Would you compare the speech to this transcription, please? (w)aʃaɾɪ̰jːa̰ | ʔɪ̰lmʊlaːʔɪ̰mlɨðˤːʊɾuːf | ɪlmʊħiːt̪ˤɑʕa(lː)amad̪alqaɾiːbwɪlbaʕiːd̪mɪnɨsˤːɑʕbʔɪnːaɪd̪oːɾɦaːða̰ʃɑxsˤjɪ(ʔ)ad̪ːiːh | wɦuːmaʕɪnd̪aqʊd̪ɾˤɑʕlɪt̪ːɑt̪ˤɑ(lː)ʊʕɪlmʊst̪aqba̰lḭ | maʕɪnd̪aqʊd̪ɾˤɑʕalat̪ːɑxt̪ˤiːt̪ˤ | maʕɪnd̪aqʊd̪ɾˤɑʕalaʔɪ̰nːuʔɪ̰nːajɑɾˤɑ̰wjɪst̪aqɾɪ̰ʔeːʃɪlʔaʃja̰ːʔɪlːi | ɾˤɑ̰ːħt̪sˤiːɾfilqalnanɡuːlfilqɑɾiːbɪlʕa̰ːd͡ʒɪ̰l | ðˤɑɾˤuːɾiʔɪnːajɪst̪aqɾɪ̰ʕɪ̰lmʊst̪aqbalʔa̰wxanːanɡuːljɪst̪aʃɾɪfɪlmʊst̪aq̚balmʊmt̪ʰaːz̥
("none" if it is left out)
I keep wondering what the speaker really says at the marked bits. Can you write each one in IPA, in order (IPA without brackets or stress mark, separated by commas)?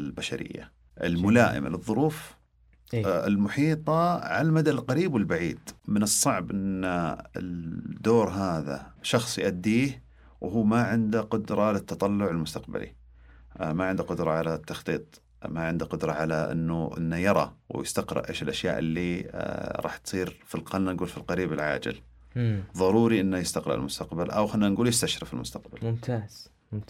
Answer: b, l, ʔ, lː